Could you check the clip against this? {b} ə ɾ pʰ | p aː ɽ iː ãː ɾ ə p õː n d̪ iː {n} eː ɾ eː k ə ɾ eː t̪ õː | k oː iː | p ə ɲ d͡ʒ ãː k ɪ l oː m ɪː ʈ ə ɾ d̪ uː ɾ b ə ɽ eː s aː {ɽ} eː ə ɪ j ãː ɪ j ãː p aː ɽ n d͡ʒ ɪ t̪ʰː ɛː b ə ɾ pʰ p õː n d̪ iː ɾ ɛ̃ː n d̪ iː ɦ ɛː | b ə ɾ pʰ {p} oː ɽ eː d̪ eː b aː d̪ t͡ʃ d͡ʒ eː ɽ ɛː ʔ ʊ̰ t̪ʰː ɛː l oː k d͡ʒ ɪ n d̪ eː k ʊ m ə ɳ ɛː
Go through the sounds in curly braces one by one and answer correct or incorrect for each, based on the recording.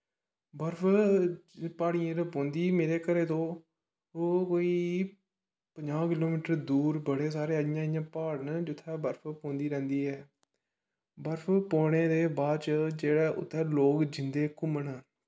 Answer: correct, incorrect, incorrect, correct

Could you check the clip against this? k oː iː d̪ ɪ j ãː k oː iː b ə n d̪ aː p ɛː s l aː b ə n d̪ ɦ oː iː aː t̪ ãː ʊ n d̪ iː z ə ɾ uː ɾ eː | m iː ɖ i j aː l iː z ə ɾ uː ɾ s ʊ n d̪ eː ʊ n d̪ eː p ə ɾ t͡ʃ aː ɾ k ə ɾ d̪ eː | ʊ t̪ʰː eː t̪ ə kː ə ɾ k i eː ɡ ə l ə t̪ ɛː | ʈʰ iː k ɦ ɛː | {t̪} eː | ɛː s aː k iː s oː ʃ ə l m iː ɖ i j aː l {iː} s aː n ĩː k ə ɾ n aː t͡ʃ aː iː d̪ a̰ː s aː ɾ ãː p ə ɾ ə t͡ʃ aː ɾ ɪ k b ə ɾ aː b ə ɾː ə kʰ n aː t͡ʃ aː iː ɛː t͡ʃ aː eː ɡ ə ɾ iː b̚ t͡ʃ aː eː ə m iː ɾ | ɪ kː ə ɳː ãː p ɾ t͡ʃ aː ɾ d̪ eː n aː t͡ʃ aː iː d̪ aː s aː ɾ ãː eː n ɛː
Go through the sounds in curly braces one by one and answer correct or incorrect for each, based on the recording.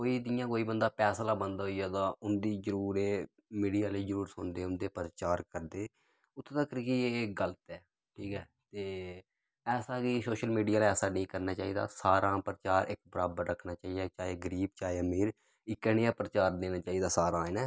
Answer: correct, incorrect

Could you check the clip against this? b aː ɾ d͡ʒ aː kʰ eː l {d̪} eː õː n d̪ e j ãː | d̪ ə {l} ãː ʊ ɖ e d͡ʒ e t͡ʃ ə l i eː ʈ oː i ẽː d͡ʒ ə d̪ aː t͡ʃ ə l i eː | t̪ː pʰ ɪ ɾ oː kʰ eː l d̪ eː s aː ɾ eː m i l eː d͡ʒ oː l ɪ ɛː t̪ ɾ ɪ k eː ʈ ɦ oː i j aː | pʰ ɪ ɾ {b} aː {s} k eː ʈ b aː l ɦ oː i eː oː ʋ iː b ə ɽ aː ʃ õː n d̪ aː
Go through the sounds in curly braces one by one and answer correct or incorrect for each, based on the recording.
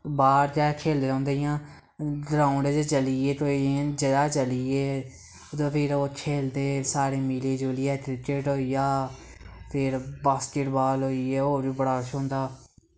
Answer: correct, incorrect, correct, correct

